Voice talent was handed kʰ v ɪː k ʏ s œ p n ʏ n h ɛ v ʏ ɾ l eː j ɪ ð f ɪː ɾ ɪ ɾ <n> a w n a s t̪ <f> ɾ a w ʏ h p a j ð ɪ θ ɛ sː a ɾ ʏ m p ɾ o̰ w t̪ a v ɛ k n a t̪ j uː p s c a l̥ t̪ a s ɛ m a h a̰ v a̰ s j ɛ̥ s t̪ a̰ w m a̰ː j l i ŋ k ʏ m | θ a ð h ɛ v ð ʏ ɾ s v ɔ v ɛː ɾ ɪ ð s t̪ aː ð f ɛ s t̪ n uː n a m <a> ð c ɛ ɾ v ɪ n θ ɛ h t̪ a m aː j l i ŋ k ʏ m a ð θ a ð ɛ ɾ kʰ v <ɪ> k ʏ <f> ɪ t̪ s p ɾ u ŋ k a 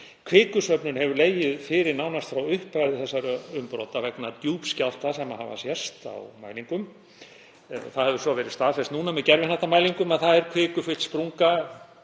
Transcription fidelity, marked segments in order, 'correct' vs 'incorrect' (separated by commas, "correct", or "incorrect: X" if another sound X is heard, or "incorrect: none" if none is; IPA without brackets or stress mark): correct, correct, incorrect: ɛ, incorrect: ɪː, correct